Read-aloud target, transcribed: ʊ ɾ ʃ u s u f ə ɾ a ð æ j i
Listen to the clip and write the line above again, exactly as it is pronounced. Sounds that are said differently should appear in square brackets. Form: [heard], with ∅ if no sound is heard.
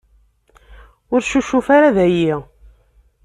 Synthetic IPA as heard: ʊ ɾ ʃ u [ʃ] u f [a] ɾ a ð æ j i